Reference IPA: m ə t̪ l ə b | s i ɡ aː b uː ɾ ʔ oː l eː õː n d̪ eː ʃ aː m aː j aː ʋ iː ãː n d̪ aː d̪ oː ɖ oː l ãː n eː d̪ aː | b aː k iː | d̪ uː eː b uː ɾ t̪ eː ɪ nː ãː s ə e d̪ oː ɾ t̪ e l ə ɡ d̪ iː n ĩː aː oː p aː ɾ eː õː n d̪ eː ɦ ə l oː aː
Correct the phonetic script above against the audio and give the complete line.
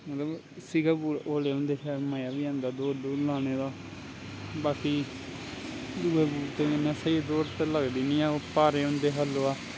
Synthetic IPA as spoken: m ə t̪ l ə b | s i ɡ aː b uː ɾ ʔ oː l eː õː n d̪ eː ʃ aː m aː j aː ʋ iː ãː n d̪ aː d̪ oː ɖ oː l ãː n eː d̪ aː | b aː k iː | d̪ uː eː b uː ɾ t̪ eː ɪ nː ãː s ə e d̪ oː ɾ t̪ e l ə ɡ d̪ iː n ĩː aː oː p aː ɾ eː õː n d̪ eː ɦ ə l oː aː